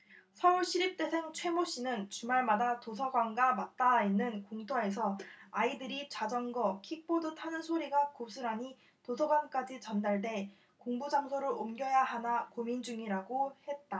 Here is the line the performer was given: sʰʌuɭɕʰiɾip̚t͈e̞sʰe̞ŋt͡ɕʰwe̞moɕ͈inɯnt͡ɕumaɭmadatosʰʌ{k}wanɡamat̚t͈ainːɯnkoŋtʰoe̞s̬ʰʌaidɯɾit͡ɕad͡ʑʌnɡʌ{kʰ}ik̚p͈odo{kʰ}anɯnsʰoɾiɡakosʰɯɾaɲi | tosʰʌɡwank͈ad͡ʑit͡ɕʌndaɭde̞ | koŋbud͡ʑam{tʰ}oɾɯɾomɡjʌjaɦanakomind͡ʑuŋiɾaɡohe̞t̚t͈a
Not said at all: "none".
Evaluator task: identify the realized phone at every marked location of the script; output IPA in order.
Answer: ɡ, kʰ, tʰ, sʰ

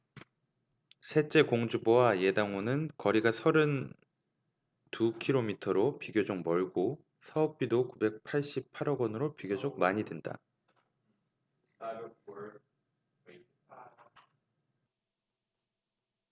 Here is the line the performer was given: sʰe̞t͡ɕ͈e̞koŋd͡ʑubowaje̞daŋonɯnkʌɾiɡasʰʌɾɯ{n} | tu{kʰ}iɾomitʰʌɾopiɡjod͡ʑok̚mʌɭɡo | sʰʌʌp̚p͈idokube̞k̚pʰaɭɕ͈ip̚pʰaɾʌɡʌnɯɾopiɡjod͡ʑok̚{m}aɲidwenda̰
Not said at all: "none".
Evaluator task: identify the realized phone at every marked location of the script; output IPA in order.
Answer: n, kʰ, m

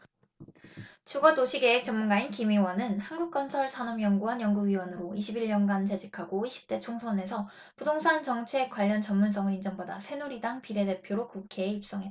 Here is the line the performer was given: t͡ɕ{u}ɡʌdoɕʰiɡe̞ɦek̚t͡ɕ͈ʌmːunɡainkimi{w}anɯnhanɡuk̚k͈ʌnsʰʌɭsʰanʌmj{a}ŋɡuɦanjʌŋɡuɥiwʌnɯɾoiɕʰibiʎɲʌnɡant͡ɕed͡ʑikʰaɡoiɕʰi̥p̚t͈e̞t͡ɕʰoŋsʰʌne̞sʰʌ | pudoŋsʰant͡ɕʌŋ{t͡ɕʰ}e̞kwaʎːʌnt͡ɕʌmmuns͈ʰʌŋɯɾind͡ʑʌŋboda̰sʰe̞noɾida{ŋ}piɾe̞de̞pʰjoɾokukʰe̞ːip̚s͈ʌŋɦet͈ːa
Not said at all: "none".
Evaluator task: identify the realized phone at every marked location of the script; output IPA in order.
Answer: u, w, ʌ, t͡ɕʰ, ŋ

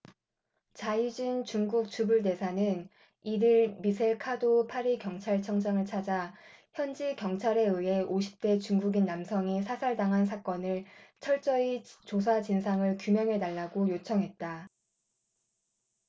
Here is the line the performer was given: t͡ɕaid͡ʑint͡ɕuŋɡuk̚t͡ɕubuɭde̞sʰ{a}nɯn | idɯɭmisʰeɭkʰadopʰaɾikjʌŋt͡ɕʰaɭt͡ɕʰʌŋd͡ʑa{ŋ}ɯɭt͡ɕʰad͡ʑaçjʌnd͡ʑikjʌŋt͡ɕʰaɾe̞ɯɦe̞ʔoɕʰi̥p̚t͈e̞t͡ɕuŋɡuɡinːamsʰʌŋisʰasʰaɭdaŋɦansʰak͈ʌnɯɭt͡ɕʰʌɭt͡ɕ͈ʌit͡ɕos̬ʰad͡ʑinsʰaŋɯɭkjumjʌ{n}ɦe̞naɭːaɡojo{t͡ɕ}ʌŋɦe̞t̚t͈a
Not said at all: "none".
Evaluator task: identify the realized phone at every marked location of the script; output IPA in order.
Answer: a, ŋ, ŋ, t͡ɕʰ

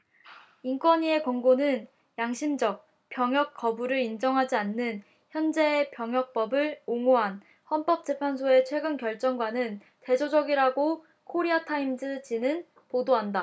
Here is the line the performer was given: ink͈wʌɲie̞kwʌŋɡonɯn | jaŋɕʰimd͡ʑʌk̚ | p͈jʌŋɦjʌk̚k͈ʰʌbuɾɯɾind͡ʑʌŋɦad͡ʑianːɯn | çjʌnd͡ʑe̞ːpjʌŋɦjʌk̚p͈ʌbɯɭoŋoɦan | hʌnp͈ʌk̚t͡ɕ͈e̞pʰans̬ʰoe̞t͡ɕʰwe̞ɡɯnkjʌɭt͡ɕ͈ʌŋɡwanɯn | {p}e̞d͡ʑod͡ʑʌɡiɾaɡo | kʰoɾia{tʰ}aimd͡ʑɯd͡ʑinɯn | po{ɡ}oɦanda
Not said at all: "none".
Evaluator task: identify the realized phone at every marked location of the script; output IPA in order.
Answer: t, tʰ, d

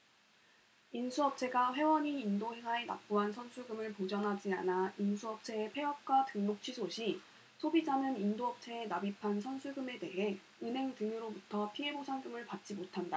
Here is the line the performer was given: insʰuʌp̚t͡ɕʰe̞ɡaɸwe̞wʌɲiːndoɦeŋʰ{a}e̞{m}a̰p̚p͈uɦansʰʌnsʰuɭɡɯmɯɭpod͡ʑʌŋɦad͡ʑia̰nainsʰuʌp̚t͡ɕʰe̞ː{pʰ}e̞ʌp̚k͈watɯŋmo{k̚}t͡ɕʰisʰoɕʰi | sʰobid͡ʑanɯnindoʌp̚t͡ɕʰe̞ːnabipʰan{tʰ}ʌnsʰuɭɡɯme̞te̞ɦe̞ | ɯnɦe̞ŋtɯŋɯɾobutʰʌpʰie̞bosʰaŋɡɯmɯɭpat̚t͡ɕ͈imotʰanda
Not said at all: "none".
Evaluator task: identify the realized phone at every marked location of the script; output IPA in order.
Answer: a, n, pʰ, k̚, sʰ

